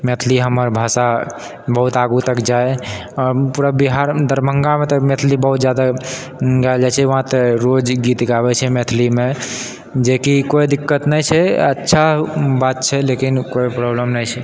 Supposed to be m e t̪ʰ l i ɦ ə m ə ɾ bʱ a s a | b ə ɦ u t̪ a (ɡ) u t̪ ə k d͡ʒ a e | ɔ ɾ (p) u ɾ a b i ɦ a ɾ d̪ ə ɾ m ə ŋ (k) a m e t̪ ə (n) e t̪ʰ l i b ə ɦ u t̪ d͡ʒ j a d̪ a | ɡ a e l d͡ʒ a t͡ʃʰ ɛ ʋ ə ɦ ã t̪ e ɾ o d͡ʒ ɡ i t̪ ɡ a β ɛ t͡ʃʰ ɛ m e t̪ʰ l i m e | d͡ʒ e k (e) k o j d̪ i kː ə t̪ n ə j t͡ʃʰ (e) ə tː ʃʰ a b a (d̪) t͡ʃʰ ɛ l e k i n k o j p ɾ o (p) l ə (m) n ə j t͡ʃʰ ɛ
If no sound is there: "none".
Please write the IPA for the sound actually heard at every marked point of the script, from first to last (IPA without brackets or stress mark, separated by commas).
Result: ɡ, p, ɡ, m, i, ɛ, t̪, b, m